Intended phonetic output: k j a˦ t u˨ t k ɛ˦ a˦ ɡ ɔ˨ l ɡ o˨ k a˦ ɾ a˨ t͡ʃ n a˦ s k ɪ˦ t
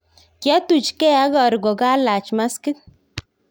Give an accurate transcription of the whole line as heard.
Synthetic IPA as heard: k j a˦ t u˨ t͡ʃ k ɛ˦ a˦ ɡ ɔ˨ ɾ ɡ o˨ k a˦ l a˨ t͡ʃ m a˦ s k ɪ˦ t